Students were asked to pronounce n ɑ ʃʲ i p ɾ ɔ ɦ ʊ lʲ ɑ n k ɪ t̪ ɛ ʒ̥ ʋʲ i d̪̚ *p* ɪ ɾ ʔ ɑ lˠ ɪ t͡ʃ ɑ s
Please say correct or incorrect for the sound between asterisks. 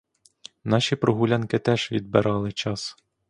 incorrect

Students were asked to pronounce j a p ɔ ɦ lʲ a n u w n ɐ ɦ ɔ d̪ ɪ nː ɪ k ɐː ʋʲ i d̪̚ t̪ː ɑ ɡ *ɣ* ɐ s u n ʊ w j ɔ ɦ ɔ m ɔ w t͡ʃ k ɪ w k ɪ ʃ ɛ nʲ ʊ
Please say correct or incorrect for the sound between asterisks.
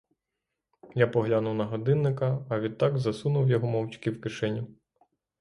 incorrect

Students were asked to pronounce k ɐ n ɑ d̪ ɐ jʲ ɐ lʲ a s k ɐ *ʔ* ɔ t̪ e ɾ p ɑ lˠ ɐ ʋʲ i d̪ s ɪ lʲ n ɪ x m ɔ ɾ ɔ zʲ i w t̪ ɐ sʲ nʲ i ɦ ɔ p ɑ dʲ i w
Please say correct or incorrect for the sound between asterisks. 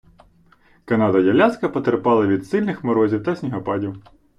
incorrect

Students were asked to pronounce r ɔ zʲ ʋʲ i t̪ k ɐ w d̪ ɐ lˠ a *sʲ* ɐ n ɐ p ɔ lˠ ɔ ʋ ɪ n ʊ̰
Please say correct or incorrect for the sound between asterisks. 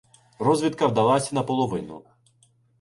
correct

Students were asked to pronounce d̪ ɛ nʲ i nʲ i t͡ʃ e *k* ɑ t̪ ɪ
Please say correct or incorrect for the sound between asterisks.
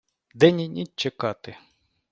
correct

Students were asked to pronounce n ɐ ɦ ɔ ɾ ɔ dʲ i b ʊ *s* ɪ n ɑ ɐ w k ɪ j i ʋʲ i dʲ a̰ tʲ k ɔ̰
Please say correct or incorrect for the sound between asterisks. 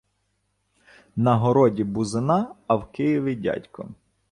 incorrect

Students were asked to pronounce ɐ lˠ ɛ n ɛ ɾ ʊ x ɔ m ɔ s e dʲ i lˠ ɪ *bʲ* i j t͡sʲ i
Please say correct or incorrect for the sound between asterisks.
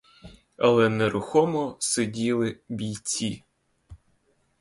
correct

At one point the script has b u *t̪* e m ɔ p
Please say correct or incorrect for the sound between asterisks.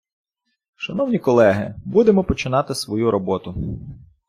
incorrect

